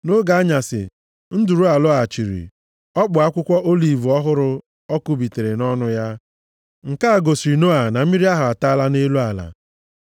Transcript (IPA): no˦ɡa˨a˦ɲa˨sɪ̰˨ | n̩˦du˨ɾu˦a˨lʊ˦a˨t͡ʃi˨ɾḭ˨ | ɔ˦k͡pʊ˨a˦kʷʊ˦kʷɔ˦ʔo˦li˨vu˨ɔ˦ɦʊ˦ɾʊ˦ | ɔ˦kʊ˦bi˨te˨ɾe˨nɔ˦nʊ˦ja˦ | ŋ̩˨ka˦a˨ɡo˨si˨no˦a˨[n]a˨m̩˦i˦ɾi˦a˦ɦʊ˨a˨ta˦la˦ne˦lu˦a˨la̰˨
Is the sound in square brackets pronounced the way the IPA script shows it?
yes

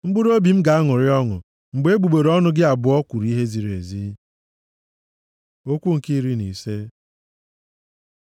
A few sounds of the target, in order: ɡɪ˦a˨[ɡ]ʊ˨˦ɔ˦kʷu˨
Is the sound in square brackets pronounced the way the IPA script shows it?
no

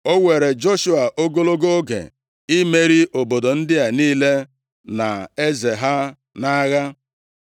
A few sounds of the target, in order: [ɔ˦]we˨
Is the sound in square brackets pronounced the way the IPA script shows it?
no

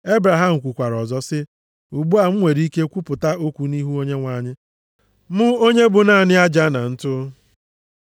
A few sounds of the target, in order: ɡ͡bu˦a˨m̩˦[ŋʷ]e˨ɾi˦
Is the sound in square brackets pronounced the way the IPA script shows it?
yes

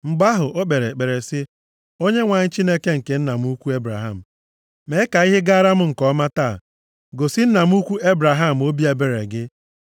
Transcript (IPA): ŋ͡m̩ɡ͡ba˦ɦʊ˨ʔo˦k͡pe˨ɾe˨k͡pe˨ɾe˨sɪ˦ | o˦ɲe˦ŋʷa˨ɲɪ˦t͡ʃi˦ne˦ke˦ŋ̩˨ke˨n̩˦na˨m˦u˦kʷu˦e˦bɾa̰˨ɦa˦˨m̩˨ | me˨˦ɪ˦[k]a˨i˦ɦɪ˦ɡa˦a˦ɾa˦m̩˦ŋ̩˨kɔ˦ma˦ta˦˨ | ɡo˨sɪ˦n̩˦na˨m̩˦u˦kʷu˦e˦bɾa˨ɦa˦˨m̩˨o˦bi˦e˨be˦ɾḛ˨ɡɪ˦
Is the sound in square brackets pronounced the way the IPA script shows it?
yes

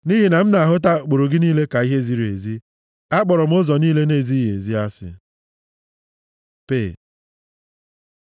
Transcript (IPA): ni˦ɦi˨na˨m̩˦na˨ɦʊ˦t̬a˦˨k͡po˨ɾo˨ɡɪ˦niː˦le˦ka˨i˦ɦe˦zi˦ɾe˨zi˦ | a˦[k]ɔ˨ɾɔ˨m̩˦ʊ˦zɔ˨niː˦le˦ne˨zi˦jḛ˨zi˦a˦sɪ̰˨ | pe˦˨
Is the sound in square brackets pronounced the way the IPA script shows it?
no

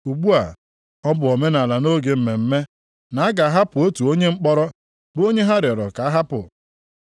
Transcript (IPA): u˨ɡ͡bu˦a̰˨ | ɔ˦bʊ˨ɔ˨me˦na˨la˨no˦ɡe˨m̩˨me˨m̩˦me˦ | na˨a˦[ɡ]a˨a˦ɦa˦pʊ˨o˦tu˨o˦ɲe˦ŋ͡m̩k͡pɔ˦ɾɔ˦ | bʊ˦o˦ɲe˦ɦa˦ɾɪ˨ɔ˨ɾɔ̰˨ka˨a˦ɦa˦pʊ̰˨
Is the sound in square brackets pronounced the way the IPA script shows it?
yes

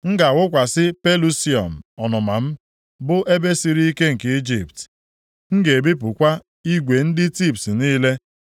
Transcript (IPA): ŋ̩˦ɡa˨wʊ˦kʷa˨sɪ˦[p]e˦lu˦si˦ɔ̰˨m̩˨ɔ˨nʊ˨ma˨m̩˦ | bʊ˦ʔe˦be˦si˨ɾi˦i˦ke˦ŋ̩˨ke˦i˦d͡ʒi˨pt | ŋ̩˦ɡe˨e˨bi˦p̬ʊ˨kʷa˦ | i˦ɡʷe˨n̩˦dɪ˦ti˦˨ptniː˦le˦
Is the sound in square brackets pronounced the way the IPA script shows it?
yes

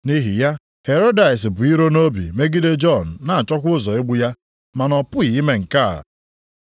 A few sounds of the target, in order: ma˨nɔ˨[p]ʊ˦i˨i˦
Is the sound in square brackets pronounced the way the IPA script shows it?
yes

